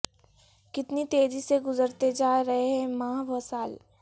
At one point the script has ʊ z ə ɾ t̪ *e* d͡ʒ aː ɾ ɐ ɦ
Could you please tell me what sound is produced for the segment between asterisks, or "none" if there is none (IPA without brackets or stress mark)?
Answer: e